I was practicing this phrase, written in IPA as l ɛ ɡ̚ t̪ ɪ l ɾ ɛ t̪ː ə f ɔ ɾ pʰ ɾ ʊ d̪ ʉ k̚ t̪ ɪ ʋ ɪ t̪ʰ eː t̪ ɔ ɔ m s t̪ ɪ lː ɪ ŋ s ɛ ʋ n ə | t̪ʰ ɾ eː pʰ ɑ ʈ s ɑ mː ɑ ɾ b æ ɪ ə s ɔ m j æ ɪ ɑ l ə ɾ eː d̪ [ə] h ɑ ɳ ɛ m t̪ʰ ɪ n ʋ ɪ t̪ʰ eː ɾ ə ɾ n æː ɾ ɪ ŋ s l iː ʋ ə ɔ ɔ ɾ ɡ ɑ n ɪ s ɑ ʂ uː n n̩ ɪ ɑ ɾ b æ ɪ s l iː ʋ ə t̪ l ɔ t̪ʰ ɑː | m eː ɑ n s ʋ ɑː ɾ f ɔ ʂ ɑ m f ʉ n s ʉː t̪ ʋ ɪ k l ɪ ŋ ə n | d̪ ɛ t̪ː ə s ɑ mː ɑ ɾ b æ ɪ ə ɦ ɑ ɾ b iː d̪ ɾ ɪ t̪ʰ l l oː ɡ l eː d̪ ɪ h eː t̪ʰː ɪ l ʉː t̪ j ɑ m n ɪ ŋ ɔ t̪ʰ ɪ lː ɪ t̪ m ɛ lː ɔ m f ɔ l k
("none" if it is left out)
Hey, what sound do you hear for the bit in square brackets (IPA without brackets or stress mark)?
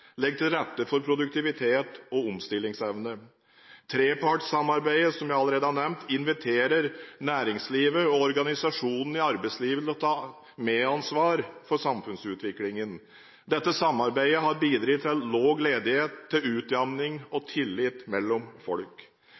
ə